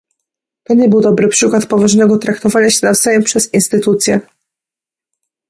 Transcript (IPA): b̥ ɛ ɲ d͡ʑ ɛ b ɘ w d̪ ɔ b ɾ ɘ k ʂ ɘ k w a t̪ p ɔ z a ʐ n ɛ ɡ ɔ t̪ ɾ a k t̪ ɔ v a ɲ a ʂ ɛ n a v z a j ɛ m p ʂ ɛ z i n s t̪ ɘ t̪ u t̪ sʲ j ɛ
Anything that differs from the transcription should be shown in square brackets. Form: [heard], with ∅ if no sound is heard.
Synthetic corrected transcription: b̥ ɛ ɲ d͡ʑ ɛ b ɘ w d̪ ɔ b ɾ ɘ [p] ʂ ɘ k w a t̪ p ɔ [v] a ʐ n ɛ ɡ ɔ t̪ ɾ a k t̪ ɔ v a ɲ a [ɕ] ɛ n a v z a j ɛ m p ʂ ɛ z i n s t̪ ɘ t̪ u t̪ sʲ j ɛ